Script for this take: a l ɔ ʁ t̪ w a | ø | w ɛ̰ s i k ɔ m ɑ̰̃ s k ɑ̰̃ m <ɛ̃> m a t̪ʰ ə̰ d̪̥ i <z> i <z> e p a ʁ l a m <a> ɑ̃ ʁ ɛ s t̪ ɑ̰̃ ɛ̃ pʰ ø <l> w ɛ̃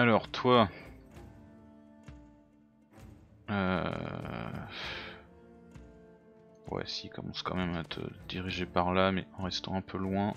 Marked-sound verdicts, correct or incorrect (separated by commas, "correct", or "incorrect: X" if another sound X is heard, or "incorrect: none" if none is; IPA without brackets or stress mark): incorrect: ɛ, incorrect: ʁ, incorrect: ʒ, incorrect: ɛ, correct